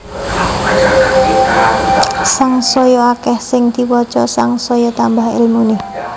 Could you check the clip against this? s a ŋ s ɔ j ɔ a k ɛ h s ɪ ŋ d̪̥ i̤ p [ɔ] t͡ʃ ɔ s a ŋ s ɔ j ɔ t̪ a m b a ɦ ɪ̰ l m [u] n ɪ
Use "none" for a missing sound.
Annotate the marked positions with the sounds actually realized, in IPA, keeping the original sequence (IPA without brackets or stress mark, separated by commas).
ɔ, u